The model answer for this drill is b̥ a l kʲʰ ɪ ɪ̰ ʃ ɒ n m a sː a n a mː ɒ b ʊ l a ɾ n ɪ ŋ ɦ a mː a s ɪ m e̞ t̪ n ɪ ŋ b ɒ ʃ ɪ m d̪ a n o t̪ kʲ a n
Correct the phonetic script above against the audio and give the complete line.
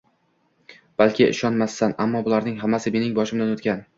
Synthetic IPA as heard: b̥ a l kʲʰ ɪ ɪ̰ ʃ ɒ n m a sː a n a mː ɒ b ʊ l a ɾ n ɪ ŋ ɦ a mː a s ɪ m e̞ n ɪ ŋ b ɒ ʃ ɪ m d̪ a n o t̪ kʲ a n

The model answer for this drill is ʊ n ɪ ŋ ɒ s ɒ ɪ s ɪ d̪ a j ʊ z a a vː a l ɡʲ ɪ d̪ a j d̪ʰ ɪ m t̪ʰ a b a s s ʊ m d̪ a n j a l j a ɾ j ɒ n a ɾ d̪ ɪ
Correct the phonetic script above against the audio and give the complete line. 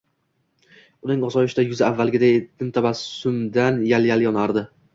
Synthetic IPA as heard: ʊ n ɪ ŋ ɒ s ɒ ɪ ʃ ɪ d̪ a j ʊ z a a vː a l ɡʲ ɪ d̪ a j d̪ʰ ɪ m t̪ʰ a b a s s ʊ m d̪ a n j a l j a l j ɒ n a ɾ d̪ ɪ

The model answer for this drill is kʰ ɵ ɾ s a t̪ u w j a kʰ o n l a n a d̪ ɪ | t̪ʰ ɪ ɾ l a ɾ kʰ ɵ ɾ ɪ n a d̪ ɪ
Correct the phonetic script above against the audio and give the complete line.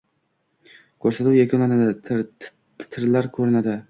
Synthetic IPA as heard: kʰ ɵ ɾ s a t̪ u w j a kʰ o n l a n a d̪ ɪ | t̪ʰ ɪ ɾ l a ɾ kʰ ɵ ɾ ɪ n a d̪ ɪ

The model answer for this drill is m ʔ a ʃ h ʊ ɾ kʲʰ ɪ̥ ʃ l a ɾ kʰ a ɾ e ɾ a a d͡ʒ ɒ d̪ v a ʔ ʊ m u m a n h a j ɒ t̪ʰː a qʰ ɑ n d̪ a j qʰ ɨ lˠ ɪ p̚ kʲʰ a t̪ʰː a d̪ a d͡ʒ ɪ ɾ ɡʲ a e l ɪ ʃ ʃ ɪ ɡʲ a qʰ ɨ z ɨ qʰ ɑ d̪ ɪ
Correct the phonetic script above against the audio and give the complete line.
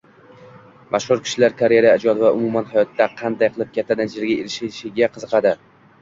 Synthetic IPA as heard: m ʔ a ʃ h ʊ ɾ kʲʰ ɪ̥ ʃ l a ɾ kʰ a ɾ e ɾ a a d͡ʒ ɒ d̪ v a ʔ ʊ m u m a n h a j ɒ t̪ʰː a qʰ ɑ n d̪ a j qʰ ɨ lˠ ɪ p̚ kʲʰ a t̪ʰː a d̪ a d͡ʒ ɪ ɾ ɡʲ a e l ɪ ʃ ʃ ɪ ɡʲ a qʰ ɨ z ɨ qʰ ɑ d̪ ɪ

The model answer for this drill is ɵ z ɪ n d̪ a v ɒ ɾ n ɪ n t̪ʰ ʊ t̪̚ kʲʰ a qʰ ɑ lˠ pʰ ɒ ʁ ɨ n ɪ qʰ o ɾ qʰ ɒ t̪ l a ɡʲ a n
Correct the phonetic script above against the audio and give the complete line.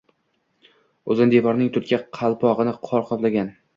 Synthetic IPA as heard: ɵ z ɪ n d̪ e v ɒ ɾ n ɪ ŋ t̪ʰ ʊ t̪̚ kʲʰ a qʰ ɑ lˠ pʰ ɒ ʁ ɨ n ɪ qʰ ɒ ɾ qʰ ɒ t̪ l a ɡʲ a n

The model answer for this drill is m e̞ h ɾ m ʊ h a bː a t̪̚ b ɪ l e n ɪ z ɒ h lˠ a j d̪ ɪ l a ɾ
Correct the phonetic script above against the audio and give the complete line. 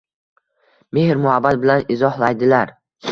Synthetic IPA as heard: m e̞ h ɾ m ʊ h a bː a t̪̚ b ɪ l a n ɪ z ɒ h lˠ a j d̪ ɪ l a ɾ

